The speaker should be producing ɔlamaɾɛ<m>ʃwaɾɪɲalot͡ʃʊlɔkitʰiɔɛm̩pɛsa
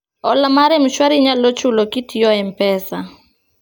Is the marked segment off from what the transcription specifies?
no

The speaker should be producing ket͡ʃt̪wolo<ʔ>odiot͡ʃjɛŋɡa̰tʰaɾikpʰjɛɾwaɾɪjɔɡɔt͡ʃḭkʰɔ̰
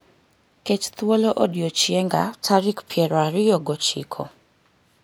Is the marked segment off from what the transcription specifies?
no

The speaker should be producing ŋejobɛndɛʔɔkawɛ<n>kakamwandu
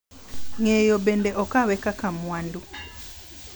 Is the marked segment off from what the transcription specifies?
yes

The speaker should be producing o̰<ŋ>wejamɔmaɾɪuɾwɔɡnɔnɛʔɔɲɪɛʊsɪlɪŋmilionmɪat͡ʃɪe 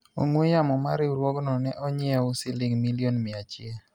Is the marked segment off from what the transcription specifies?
no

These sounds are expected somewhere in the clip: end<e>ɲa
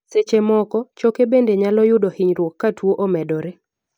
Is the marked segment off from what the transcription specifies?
no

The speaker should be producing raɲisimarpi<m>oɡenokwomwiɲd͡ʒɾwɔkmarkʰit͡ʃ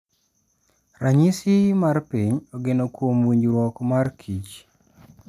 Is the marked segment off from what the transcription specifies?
yes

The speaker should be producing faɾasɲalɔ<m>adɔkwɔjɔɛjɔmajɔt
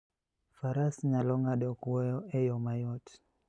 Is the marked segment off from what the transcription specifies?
yes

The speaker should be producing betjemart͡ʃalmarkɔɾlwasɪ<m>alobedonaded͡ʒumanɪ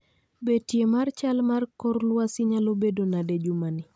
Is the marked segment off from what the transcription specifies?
yes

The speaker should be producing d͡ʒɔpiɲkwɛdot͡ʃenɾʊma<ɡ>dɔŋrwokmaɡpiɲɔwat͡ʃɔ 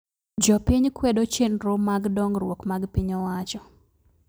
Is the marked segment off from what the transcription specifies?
no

